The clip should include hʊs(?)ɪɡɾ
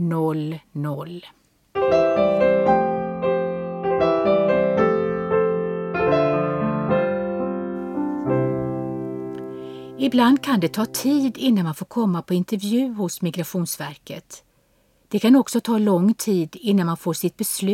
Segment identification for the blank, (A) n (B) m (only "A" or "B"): B